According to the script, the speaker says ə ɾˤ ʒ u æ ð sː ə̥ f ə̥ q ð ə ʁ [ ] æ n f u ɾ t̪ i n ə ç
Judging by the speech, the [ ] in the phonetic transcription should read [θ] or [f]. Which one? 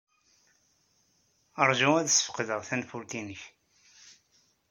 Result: θ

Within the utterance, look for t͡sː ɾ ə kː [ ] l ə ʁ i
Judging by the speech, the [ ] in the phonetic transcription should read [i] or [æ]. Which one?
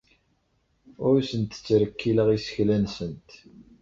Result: i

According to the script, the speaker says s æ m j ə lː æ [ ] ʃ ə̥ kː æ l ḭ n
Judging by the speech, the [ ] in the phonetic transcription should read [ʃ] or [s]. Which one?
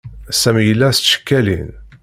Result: s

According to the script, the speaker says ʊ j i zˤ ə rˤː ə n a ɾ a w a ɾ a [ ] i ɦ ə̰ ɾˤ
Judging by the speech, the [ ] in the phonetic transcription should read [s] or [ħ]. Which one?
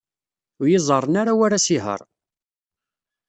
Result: s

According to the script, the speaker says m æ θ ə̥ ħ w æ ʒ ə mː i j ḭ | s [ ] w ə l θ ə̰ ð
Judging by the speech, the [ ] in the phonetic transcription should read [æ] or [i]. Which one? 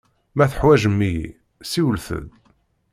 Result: i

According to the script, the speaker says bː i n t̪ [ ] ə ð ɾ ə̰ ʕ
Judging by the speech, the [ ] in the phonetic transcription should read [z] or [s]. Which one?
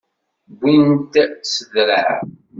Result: s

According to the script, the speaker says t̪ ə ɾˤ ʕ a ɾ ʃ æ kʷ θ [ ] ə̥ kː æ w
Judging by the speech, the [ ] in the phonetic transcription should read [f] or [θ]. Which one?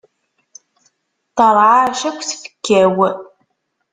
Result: f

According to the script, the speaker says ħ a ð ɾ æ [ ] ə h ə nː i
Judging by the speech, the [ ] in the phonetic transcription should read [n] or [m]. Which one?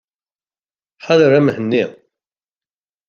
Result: m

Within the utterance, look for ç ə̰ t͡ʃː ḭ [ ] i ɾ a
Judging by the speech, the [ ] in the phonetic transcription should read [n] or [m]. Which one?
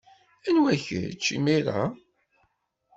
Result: m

